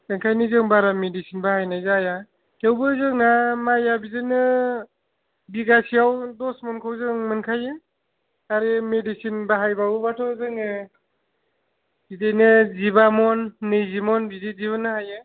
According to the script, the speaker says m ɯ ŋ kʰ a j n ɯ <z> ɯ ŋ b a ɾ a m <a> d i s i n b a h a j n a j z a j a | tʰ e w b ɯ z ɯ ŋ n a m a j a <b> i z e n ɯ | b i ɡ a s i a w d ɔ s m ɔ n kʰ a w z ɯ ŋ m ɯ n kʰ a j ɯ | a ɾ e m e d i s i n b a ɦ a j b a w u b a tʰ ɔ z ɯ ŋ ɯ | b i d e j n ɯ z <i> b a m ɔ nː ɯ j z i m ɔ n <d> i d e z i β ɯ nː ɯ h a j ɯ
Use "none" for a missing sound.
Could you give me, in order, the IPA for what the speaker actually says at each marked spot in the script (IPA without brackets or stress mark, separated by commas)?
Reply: z, e, b, i, b